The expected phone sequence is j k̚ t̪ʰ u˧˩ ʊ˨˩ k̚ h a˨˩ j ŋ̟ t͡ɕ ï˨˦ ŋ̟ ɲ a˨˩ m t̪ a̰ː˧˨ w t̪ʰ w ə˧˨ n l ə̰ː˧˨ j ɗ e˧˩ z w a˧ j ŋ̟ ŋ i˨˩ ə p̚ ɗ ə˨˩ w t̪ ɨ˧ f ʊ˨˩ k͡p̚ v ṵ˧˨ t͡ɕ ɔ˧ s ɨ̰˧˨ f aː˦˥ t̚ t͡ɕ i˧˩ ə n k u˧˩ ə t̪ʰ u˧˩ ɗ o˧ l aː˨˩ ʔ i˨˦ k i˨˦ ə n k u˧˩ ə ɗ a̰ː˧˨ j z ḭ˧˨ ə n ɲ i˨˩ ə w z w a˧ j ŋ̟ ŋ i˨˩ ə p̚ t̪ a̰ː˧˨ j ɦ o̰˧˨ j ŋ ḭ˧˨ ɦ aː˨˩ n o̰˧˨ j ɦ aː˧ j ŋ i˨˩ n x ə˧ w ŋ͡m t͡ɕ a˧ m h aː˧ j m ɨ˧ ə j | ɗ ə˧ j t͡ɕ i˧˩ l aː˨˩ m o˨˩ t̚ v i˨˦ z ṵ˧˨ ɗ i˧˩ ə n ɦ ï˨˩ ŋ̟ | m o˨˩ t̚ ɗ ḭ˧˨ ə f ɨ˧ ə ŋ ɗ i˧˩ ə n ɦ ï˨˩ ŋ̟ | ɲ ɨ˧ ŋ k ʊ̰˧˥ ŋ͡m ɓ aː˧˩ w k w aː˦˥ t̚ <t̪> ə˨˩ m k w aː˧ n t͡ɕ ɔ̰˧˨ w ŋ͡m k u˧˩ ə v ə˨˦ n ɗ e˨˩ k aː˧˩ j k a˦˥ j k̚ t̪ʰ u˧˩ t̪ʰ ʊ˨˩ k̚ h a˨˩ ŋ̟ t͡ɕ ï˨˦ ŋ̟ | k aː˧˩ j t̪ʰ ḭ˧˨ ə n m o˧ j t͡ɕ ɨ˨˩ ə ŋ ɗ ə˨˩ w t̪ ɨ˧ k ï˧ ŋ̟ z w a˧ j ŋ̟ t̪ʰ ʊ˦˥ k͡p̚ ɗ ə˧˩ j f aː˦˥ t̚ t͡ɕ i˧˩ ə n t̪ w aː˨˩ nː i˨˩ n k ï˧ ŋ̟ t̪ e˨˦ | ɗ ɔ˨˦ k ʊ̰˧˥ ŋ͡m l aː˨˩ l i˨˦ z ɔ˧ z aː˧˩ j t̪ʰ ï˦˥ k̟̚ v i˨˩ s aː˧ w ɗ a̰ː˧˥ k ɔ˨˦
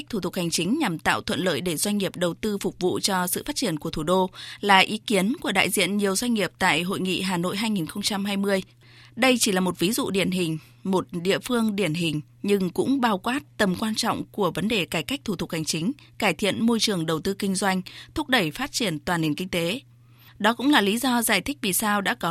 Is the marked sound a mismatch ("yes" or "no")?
no